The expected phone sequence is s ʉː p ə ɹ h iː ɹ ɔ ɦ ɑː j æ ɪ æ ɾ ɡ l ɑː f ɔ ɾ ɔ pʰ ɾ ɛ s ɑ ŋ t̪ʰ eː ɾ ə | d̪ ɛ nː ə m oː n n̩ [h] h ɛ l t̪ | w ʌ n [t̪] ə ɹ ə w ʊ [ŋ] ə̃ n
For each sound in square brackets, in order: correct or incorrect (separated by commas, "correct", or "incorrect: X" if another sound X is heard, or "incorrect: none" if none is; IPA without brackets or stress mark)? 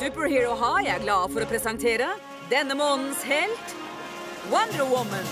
incorrect: s, incorrect: d̪, incorrect: m